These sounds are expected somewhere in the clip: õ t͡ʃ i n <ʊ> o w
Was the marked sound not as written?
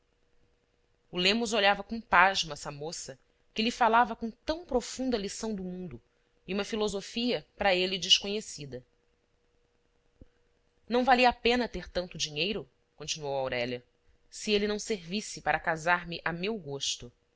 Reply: yes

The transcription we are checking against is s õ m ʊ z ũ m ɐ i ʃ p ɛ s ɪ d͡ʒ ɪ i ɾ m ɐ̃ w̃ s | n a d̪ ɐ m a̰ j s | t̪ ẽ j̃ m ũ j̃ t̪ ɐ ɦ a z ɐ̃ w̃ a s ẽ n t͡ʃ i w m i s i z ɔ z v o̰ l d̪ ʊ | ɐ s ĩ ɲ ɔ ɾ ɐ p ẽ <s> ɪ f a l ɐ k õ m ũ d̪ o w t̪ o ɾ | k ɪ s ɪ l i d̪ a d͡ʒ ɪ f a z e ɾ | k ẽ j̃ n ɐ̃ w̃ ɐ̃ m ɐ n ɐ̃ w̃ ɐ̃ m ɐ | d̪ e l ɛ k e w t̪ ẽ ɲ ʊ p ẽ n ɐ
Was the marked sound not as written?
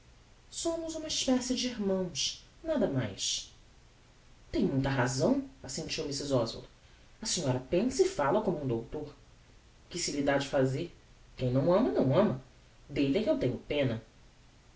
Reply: no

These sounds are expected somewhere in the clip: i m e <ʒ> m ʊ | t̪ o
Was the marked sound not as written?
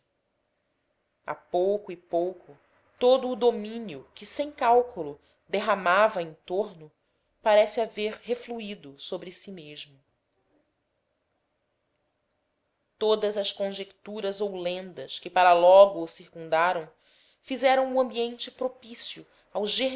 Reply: no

